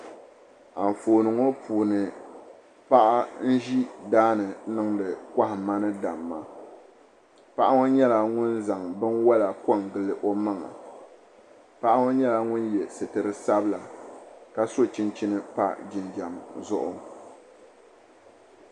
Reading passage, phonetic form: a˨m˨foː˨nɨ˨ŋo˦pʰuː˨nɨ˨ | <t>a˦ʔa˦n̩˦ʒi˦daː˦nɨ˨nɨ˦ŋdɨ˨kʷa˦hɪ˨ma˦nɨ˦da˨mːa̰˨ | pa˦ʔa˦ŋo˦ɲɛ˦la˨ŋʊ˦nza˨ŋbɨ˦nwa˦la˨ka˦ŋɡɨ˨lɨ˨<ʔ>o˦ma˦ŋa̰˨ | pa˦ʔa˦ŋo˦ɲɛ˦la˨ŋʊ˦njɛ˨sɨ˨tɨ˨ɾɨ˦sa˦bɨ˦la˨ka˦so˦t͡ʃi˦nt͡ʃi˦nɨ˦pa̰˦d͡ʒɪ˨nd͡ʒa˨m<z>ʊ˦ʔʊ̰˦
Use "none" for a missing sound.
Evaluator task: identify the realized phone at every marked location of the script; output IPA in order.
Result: p, ʔ, z

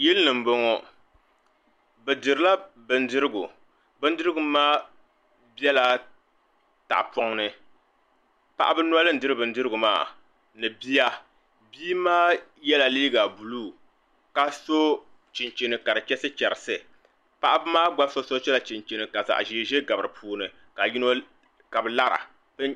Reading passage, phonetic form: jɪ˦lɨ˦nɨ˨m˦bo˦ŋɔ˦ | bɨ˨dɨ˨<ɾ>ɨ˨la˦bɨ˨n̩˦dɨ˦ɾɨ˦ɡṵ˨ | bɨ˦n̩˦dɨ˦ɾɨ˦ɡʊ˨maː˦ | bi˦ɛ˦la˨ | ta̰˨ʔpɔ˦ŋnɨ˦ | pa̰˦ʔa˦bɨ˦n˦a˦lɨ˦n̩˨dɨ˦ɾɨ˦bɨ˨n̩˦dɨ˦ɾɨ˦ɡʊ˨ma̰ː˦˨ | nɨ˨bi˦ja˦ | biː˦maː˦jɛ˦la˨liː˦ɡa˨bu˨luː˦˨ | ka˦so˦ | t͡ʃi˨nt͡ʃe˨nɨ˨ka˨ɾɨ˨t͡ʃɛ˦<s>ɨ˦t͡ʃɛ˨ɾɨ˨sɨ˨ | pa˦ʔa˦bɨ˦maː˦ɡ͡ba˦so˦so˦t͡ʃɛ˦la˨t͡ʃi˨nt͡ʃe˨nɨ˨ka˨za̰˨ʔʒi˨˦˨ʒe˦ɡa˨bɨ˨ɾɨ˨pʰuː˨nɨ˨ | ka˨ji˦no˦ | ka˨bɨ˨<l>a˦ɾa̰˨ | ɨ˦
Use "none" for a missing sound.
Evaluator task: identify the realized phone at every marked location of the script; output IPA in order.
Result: ɾ, s, l

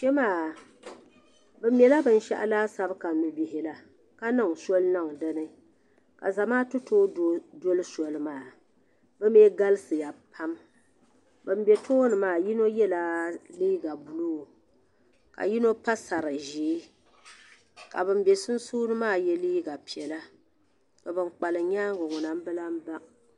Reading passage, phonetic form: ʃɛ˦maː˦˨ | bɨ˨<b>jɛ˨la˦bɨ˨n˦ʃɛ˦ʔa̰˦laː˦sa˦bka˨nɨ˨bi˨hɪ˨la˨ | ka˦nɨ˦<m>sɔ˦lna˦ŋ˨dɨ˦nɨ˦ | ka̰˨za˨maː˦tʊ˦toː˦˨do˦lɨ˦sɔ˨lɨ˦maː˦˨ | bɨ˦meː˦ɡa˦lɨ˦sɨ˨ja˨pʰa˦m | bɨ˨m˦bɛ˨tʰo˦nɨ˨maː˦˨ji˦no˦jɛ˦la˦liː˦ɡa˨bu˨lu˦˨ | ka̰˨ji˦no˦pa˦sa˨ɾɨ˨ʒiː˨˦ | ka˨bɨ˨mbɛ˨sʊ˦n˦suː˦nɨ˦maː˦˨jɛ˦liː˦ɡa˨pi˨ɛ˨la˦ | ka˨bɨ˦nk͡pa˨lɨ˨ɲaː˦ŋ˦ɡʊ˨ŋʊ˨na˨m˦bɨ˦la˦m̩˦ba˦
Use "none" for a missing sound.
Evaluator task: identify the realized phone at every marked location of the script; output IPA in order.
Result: m, ŋ

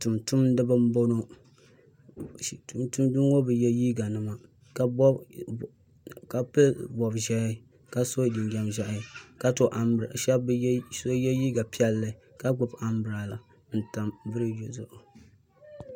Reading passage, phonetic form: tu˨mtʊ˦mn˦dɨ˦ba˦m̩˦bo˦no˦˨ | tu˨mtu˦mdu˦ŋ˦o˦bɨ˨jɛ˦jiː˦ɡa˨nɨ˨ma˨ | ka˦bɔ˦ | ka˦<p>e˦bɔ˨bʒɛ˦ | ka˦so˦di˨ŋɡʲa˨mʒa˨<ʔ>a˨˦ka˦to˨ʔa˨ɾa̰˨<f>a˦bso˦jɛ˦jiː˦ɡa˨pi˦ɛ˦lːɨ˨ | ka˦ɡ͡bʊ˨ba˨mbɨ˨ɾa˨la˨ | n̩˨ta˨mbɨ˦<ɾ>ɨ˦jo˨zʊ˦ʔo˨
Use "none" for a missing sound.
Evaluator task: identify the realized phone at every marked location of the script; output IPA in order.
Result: p, ʔ, ʃ, ɾ

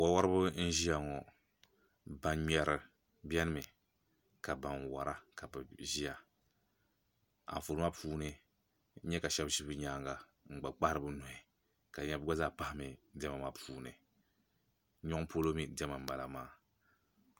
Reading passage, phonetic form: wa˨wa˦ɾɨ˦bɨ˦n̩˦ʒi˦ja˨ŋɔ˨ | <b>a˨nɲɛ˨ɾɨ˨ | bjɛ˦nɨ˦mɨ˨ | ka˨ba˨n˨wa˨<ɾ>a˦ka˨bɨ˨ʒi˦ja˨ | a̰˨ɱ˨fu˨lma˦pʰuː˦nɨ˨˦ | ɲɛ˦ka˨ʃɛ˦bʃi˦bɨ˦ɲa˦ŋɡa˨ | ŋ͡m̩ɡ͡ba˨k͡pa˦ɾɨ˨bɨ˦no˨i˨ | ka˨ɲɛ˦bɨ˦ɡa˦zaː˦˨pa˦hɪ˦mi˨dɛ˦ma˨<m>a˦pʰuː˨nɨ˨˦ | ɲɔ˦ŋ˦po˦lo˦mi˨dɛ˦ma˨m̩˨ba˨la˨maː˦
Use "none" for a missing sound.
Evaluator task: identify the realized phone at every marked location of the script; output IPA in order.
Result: b, ɾ, m

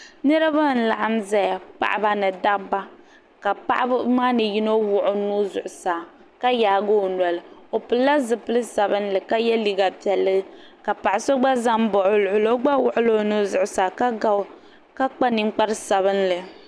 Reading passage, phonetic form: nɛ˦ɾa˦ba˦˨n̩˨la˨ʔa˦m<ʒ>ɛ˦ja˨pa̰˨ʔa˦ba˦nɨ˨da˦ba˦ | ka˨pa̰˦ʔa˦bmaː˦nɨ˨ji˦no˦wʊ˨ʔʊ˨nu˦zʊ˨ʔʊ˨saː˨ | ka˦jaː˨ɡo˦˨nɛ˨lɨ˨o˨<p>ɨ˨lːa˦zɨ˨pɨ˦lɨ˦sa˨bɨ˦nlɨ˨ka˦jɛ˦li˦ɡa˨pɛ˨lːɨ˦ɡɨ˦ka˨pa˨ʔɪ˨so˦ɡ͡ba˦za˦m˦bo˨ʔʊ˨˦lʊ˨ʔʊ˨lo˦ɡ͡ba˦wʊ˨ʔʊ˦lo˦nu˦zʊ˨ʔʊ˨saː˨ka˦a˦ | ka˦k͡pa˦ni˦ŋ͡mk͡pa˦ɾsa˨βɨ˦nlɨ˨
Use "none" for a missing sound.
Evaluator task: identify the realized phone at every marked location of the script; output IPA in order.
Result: z, p

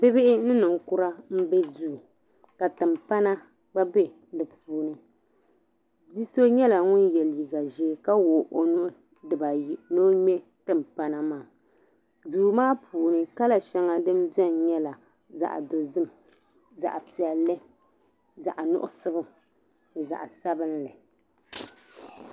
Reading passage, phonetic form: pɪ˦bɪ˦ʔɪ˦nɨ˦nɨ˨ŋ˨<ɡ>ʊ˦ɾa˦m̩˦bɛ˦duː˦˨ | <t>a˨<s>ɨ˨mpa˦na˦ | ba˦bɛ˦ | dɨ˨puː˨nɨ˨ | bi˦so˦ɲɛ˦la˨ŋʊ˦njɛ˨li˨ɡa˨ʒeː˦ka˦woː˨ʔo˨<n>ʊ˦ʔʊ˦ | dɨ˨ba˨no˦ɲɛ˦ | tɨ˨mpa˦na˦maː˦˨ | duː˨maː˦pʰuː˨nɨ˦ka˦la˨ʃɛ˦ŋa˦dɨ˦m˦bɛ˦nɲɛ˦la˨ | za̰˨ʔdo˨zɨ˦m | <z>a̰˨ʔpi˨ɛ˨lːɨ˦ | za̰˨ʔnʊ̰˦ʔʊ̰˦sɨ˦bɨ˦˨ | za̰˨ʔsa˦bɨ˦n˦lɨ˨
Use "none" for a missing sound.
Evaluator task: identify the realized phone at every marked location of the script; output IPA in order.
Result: k, k, t, n, z

